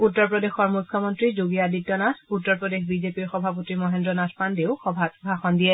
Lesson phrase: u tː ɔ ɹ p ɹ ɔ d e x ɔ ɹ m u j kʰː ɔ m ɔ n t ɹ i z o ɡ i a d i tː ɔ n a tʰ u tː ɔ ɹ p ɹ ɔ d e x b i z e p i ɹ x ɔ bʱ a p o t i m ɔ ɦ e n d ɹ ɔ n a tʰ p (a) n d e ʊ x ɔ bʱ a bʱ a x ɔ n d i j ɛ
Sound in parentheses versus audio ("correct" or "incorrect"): correct